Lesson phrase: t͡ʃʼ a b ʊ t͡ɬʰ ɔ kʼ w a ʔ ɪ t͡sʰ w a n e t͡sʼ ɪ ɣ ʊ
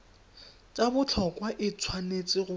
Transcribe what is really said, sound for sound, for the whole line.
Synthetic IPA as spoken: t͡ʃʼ a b ʊ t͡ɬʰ ɔ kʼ w a ʔ ɪ t͡sʰ w a n e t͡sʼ ɪ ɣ ʊ